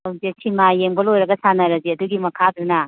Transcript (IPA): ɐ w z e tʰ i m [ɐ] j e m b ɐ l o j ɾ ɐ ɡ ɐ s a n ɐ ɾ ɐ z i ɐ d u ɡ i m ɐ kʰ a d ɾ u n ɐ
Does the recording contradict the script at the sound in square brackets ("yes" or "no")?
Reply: yes